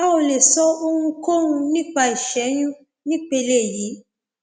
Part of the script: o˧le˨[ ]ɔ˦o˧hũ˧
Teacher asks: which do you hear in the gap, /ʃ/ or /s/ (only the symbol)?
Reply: s